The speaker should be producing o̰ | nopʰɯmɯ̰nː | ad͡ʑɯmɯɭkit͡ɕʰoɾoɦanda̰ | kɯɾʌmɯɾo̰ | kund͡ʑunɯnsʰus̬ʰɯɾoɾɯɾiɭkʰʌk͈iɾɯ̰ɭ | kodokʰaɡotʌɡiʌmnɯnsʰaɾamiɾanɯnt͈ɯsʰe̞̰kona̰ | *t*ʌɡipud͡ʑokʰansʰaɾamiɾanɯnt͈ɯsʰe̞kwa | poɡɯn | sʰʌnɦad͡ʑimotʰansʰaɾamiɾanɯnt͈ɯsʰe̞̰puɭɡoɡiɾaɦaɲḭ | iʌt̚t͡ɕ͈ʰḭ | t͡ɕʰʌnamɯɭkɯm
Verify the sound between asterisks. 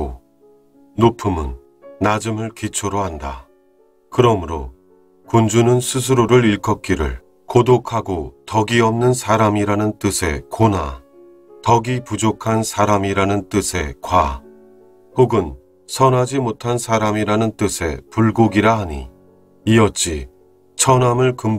correct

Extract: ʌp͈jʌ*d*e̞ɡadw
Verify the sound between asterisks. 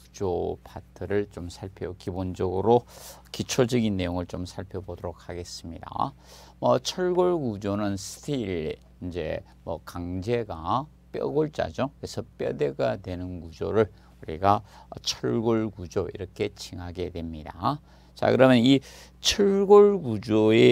correct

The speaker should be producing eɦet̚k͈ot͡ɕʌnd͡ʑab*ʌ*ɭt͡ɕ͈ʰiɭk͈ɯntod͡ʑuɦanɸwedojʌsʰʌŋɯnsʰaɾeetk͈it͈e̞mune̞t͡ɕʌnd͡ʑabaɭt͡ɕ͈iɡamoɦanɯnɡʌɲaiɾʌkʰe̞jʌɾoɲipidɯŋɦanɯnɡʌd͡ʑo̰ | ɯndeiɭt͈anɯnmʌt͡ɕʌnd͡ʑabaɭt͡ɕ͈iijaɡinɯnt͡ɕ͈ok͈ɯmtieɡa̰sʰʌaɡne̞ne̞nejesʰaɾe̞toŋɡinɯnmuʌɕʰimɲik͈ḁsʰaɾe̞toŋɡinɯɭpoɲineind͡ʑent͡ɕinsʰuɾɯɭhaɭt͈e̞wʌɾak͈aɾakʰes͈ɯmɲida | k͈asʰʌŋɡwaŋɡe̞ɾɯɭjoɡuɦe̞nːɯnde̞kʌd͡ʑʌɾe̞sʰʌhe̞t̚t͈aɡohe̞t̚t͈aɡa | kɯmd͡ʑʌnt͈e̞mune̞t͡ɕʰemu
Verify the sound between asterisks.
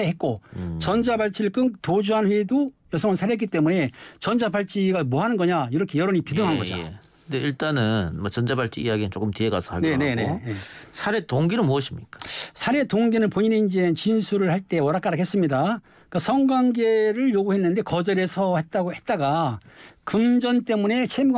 incorrect: a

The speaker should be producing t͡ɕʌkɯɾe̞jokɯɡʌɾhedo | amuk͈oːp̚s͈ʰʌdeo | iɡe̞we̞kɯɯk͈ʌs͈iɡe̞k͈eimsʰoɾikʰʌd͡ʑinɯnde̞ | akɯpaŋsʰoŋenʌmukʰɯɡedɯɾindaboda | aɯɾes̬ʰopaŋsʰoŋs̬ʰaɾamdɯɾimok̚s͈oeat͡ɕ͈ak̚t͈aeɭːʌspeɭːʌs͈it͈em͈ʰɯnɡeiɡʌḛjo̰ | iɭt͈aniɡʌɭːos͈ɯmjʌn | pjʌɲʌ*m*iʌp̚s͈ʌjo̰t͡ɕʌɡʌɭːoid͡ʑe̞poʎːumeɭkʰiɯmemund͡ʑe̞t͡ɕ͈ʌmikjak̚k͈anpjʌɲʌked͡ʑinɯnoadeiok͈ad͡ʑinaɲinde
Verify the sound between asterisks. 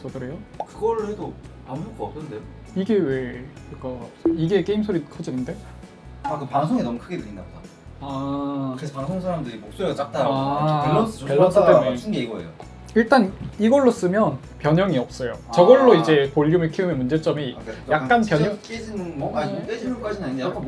incorrect: ŋ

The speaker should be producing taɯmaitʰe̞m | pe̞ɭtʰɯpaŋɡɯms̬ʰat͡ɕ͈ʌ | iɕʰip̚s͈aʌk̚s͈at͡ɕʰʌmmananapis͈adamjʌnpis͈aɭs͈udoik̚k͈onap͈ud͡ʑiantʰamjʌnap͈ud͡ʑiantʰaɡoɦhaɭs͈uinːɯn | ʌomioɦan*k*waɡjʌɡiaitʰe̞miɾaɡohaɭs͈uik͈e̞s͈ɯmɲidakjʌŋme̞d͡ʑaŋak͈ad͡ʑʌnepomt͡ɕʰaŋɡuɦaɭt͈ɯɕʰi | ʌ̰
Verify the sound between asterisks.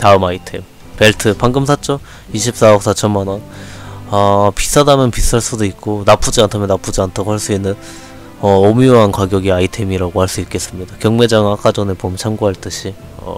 correct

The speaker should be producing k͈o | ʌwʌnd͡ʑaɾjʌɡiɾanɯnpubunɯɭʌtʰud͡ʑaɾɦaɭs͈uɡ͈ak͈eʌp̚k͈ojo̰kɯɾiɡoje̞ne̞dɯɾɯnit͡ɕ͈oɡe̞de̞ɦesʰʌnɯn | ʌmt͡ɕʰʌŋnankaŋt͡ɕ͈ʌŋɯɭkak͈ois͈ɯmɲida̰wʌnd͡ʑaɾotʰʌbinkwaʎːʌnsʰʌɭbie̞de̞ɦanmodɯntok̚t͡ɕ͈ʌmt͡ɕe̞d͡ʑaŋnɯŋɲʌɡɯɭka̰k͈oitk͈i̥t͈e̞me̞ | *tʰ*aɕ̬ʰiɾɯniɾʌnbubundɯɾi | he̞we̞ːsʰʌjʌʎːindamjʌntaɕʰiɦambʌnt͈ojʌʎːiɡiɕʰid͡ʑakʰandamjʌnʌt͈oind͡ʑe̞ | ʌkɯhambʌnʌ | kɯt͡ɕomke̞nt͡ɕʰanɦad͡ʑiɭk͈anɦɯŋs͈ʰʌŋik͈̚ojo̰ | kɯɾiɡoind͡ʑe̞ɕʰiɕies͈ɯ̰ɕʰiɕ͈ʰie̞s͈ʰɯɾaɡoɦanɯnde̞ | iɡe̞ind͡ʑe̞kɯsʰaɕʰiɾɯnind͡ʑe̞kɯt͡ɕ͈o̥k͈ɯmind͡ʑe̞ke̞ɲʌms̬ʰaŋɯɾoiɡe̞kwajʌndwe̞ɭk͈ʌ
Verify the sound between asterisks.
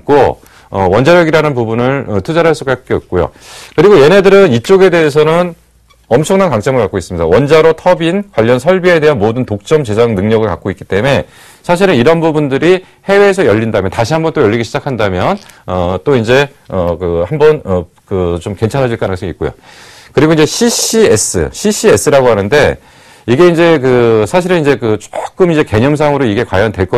incorrect: sʰ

